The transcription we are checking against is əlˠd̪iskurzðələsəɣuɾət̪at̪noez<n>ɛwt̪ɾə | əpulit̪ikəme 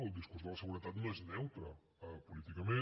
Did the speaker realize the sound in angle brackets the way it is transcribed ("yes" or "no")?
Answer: yes